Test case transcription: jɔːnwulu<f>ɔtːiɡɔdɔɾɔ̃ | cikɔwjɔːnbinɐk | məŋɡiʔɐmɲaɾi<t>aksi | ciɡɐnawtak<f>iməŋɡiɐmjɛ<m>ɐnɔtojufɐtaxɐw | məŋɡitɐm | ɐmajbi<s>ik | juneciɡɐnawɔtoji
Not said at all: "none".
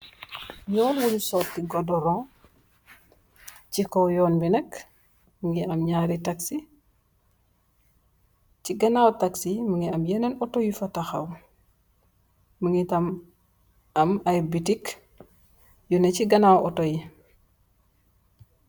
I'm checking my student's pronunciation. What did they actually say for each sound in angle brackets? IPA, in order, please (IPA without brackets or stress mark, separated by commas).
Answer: s, t, s, n, t